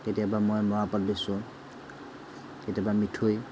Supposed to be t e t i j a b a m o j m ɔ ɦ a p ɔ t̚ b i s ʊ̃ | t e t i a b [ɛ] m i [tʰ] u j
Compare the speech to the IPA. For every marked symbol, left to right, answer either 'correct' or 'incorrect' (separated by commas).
incorrect, correct